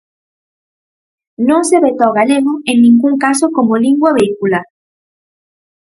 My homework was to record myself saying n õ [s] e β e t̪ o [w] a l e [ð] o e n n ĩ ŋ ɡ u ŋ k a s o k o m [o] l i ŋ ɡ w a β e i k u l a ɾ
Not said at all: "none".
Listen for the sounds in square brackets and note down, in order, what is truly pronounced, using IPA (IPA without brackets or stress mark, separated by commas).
s, ɣ, ɣ, o